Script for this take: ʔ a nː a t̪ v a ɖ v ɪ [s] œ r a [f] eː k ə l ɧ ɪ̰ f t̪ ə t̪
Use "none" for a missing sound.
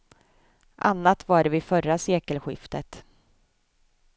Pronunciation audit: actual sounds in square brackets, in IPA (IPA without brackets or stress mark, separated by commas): f, s